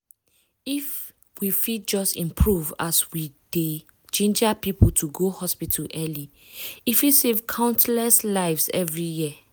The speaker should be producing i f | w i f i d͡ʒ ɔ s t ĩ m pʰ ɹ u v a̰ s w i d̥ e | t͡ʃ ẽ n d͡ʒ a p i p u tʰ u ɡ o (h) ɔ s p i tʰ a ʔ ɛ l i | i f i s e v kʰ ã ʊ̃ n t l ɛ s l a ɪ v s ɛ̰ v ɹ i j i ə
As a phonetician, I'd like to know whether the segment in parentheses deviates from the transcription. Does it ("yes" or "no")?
no